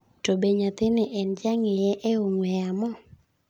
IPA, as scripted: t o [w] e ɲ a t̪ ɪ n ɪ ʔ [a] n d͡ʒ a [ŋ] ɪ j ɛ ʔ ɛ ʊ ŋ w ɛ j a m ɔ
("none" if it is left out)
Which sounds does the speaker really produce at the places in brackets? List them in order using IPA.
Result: b, ɛ, ŋ

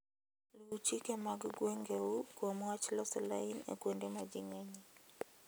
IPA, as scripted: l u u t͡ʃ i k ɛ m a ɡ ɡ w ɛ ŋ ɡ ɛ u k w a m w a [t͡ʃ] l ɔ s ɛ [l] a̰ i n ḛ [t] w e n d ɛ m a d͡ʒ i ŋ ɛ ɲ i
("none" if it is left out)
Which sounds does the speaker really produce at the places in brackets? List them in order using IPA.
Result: t͡ʃ, l, k

